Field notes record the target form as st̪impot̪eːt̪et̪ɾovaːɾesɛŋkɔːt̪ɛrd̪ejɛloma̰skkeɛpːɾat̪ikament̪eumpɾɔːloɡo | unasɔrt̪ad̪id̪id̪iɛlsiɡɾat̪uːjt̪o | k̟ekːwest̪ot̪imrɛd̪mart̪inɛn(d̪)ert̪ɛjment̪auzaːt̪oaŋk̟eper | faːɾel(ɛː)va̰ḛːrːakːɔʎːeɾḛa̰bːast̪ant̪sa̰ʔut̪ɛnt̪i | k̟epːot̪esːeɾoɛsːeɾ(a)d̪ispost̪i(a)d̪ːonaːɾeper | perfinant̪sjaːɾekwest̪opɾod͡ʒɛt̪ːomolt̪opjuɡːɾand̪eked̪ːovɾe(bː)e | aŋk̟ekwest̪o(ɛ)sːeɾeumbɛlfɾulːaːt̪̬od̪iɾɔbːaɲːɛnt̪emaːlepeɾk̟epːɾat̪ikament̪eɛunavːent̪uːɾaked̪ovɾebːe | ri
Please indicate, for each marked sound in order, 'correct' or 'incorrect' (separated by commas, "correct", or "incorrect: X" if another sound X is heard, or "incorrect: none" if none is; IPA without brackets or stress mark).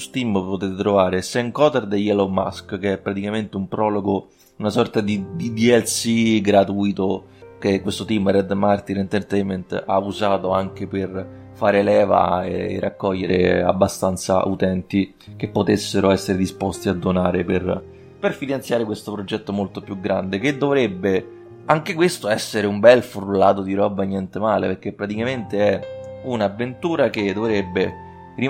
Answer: incorrect: t̪, correct, incorrect: e, correct, correct, correct